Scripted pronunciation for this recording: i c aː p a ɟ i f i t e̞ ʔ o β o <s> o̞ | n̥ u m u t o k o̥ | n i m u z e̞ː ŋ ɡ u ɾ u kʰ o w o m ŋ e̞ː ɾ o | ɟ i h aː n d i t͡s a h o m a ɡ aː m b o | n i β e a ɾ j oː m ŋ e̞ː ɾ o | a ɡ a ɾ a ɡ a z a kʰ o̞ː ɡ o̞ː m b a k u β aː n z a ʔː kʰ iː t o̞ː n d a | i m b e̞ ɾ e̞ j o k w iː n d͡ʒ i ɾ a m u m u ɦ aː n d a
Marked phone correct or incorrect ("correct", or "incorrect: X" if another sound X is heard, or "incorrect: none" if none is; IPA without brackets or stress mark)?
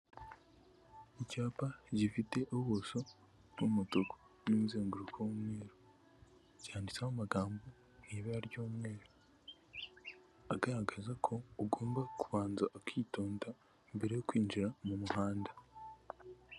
correct